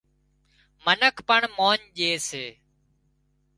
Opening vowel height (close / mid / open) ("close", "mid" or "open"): mid